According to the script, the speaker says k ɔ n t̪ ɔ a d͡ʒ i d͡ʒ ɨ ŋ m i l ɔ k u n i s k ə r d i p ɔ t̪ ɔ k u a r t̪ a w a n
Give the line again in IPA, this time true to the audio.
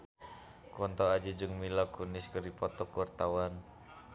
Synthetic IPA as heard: k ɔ n t̪ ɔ a d͡ʒ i d͡ʒ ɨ ŋ m i l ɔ k u n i s k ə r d i p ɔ t̪ ɔ k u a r t̪ a w a n